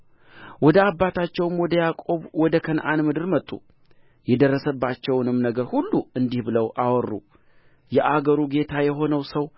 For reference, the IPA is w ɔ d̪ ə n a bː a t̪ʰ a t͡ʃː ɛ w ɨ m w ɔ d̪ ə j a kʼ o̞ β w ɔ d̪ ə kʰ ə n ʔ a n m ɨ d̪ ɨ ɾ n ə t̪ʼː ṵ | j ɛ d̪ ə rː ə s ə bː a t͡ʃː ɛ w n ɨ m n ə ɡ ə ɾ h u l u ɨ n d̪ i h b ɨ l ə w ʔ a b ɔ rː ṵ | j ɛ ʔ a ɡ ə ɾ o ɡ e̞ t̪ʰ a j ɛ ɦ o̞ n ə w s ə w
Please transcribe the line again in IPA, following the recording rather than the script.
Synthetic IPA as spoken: w ɔ d̪ ə a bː a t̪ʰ a t͡ʃː ɛ w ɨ m w ɔ d̪ ə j a kʼ o̞ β w ɔ d̪ ə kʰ ə n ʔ a n m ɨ d̪ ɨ ɾ m ə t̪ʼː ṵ | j ɛ d̪ ə rː ə s ə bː a t͡ʃː ɛ w n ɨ m n ə ɡ ə ɾ h u lː u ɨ n d̪ i h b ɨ l ə w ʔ a w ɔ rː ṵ | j ɛ ʔ a ɡ ə ɾ u ɡ e̞ t̪ʰ a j ɛ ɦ o̞ n ə w s ə w